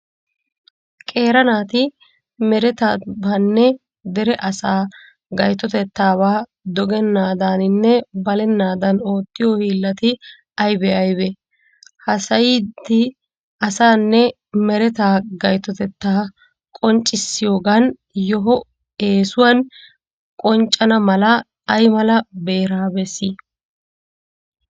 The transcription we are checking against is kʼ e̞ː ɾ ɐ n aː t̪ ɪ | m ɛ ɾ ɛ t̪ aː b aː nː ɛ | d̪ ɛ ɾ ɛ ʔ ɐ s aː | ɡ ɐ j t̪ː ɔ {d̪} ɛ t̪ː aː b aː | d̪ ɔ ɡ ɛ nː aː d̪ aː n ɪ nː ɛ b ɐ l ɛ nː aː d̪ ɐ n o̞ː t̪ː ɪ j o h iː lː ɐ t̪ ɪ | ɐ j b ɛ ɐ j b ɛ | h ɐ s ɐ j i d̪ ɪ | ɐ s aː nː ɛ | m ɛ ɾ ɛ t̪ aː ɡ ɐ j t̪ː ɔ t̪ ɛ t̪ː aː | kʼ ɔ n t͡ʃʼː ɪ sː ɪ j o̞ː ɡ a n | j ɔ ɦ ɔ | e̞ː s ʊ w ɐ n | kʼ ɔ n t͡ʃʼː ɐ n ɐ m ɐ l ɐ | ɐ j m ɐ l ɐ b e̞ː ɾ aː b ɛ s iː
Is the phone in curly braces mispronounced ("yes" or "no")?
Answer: yes